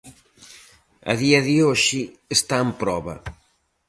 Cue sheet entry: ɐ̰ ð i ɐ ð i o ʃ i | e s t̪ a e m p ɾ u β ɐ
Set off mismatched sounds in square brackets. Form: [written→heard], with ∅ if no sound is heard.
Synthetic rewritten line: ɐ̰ ð i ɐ ð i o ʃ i | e s t̪ a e m p ɾ [u→ɔ] β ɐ